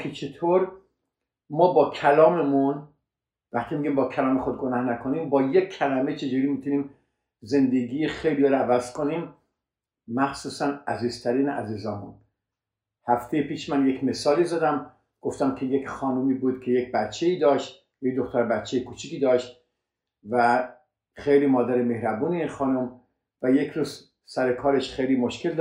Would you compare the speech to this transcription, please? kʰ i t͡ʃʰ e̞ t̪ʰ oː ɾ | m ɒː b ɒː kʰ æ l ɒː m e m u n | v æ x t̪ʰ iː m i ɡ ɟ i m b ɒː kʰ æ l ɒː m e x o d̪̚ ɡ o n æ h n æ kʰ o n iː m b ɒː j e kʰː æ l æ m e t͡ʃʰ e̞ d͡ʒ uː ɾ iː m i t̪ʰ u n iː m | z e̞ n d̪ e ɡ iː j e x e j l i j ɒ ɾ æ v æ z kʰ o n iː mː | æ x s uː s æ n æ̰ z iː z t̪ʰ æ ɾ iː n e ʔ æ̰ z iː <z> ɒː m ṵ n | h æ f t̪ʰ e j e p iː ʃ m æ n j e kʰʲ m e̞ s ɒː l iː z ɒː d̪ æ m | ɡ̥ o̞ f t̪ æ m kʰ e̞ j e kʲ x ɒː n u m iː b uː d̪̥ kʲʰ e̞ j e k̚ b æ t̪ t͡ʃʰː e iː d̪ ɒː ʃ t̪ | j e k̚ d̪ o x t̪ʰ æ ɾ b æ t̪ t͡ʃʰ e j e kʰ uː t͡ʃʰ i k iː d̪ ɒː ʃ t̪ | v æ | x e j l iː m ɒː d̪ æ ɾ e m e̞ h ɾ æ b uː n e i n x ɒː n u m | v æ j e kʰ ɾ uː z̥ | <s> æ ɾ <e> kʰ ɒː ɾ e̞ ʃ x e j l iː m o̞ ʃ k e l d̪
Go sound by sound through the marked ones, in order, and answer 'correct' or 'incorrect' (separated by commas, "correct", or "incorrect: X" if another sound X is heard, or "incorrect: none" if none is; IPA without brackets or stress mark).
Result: correct, correct, correct